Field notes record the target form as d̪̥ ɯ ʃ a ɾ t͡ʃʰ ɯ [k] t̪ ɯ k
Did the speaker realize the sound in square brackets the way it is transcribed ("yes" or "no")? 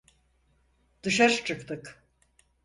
yes